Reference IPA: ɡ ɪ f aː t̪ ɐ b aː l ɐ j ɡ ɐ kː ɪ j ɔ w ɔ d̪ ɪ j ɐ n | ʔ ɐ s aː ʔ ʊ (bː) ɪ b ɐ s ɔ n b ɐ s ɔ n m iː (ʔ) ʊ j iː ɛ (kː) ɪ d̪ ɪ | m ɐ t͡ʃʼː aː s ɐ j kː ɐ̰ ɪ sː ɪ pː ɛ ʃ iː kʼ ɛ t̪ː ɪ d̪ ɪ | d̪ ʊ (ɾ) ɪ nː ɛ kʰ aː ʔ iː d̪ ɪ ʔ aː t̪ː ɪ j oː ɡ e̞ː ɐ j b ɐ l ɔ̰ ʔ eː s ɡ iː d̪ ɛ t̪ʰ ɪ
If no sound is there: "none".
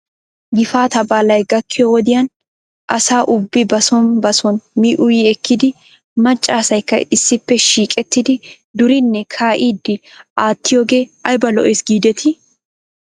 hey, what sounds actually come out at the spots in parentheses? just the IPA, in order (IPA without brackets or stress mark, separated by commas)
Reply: bː, ʔ, kː, ɾ